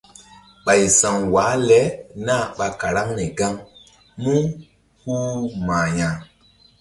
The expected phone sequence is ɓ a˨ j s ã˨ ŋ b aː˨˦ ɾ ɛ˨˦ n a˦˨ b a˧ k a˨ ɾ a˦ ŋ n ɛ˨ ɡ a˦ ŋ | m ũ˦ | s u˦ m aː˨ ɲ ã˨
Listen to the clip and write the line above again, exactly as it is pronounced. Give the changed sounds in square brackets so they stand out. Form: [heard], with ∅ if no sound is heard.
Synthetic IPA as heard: ɓ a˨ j s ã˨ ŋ [w] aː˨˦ [l] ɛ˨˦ n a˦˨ [ɓ] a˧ k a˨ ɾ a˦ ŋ n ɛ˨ ɡ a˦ ŋ | m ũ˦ | [h] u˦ m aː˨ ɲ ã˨